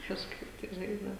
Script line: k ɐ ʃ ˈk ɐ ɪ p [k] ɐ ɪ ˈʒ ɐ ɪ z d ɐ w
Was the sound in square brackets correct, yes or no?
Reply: no